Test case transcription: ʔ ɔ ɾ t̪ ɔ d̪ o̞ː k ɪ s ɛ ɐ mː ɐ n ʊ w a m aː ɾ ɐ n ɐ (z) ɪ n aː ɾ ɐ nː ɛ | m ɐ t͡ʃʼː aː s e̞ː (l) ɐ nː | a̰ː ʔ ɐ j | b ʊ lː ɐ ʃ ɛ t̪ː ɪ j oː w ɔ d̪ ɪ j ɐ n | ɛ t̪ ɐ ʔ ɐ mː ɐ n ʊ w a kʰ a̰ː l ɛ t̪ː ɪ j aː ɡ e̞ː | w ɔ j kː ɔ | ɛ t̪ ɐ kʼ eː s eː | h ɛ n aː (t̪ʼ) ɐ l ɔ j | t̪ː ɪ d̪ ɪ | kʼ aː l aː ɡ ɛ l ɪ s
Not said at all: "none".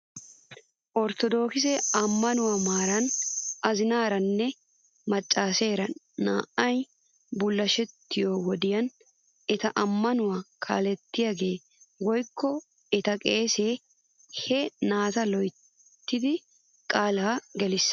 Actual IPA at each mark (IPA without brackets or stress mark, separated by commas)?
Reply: z, ɾ, t̪